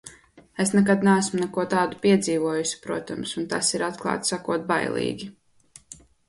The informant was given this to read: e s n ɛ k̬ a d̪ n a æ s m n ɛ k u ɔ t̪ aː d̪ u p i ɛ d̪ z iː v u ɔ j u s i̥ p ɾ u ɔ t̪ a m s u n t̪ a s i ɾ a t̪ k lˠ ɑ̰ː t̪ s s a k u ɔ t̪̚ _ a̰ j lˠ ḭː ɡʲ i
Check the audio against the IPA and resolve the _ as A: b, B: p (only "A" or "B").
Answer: A